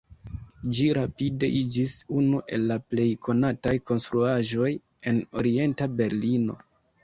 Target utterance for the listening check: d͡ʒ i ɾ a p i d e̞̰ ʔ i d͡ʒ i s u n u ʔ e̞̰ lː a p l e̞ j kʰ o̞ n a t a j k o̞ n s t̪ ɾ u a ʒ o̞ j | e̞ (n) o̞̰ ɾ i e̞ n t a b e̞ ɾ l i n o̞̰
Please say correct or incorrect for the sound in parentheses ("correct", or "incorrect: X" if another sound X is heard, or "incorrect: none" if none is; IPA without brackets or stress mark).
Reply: correct